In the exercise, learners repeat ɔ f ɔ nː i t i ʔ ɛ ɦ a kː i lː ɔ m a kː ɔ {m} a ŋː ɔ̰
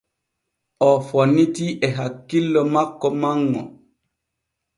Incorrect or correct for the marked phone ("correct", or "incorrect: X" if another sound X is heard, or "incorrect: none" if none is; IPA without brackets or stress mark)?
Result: correct